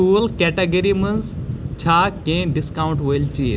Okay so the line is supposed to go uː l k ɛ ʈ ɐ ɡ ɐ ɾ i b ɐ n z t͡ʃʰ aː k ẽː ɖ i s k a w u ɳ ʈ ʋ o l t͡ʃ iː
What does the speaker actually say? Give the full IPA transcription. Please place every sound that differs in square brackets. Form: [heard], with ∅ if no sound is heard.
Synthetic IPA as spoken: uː l k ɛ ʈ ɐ ɡ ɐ ɾ i [m] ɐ n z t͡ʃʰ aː k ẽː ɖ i s k a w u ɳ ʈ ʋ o l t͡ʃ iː